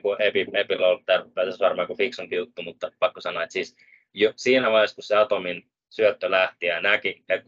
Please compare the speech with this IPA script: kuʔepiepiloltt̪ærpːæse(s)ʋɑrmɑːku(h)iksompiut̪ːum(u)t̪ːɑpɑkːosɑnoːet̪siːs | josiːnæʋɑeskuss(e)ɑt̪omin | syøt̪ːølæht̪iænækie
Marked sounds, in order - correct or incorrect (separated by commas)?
correct, incorrect, correct, correct